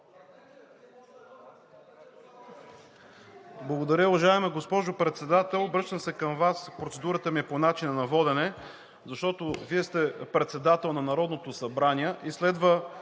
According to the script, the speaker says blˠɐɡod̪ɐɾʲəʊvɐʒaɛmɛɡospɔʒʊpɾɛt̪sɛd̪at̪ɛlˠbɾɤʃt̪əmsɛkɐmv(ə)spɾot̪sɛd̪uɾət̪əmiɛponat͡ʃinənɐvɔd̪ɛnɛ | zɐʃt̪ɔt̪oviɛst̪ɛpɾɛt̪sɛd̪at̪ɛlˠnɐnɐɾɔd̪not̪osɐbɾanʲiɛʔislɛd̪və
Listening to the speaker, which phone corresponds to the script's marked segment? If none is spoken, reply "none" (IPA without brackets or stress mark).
a